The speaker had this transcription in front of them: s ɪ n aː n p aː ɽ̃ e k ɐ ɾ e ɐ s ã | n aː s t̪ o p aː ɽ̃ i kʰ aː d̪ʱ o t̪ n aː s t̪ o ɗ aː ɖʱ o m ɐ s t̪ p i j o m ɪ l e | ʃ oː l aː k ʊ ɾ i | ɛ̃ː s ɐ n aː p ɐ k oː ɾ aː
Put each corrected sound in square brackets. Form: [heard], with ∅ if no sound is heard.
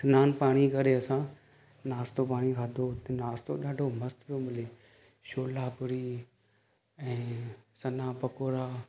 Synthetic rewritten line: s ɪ n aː n p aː ɽ̃ [i] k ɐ ɾ e ɐ s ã | n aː s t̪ o p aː ɽ̃ i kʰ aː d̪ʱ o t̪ n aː s t̪ o ɗ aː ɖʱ o m ɐ s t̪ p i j o m ɪ l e | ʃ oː l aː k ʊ ɾ i | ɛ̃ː s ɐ n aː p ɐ k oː ɾ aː